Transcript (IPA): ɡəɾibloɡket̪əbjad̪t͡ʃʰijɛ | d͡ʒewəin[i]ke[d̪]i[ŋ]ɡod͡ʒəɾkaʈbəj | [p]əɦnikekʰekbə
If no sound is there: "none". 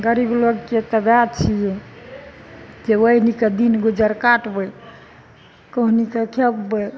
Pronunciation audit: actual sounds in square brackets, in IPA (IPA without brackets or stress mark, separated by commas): i, d̪, n, k